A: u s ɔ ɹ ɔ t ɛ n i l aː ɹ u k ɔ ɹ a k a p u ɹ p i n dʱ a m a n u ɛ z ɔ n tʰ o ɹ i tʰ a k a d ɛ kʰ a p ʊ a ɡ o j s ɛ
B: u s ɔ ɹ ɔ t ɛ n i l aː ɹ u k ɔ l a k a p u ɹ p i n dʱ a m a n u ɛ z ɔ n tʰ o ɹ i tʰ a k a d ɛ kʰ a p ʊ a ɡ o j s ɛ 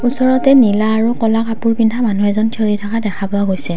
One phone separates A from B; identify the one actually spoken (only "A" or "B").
B